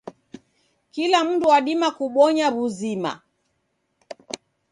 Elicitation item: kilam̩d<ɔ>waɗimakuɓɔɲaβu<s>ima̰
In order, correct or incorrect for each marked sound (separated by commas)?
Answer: incorrect, incorrect